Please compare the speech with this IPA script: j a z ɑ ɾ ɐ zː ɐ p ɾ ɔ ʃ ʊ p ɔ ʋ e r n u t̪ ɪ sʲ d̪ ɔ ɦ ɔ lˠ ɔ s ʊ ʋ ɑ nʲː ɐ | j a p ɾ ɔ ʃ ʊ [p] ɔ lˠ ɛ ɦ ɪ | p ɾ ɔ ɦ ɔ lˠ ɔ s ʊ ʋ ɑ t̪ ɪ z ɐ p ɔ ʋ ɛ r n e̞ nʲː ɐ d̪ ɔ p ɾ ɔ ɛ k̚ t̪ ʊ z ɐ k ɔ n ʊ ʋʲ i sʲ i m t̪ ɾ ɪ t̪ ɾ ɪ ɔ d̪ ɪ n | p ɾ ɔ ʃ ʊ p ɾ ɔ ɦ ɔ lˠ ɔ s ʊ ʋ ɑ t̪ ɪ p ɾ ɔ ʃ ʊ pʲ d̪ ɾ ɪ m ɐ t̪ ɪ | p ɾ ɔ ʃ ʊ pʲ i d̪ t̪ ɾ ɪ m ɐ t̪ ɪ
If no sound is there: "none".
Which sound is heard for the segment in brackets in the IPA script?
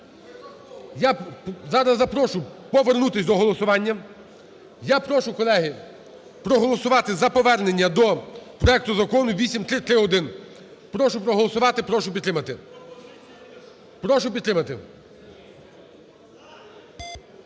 k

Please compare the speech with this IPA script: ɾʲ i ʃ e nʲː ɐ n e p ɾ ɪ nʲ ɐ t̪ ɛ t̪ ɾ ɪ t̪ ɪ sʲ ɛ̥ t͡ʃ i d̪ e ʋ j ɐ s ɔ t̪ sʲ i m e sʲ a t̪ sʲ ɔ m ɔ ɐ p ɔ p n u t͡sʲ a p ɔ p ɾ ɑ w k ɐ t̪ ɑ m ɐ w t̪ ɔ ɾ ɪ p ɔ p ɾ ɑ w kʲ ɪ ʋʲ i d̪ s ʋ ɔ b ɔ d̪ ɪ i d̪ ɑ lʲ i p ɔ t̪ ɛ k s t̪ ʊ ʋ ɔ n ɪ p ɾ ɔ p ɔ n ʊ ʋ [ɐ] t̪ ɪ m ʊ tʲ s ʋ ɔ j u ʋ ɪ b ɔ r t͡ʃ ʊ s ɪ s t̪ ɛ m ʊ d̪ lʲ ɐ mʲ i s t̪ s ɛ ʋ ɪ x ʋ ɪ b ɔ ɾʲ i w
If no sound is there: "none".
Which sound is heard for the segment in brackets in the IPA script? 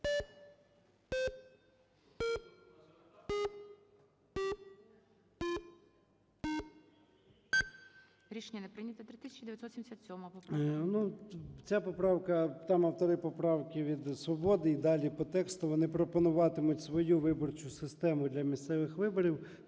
ɑ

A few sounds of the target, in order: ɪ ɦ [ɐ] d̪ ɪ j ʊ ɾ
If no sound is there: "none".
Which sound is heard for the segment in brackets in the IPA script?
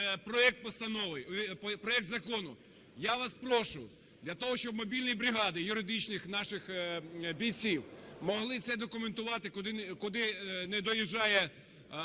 ɑ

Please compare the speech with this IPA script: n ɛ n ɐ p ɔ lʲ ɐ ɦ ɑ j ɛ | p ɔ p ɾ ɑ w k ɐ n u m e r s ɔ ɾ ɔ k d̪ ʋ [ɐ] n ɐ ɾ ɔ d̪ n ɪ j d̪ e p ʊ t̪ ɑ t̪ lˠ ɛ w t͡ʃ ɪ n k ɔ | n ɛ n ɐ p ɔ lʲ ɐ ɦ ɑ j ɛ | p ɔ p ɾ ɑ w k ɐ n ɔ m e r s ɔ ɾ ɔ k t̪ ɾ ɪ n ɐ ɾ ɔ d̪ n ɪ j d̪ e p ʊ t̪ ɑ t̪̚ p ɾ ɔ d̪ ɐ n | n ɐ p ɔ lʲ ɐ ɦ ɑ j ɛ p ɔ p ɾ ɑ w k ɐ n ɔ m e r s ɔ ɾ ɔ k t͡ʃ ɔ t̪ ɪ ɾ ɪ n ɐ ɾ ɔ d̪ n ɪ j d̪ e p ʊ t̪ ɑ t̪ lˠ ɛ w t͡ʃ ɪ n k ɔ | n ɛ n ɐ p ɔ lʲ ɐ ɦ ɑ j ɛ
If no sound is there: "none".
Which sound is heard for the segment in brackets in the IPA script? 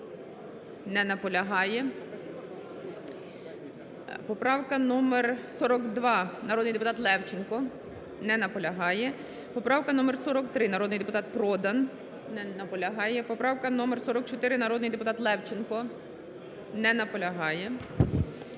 ɑ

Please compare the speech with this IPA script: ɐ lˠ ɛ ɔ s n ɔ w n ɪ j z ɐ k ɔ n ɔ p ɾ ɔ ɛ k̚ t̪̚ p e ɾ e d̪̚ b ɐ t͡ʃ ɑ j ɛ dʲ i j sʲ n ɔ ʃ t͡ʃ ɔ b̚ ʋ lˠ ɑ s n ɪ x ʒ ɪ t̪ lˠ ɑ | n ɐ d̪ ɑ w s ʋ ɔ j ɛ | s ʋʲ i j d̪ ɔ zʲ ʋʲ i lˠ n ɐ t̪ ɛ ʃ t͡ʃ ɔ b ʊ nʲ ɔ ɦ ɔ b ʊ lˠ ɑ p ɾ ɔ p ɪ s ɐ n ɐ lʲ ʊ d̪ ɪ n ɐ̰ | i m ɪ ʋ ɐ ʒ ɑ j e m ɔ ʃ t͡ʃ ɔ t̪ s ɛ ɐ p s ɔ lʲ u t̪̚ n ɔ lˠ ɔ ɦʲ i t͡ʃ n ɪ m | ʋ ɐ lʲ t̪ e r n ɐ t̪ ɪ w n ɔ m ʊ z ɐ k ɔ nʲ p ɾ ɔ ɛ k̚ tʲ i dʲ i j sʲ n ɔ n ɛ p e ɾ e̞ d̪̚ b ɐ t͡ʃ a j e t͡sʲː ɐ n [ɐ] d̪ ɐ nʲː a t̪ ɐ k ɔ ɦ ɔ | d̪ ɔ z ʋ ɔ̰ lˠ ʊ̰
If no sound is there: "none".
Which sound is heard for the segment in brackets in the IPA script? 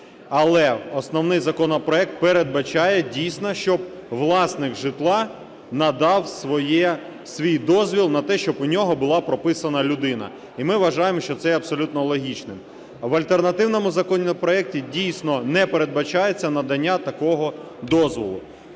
ɐ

